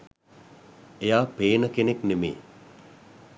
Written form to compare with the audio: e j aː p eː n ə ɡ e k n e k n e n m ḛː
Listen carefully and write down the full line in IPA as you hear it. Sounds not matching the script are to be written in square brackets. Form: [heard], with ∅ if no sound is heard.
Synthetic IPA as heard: e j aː p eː n ə [k] e [∅] n e k n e [∅] m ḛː